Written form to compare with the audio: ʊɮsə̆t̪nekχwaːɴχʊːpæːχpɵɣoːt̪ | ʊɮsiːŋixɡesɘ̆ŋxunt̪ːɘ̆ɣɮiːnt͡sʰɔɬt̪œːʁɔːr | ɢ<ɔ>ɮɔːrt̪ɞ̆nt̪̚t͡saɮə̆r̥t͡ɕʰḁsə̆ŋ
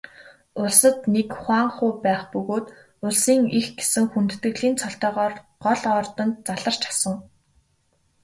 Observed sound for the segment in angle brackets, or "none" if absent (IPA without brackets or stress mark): ɔ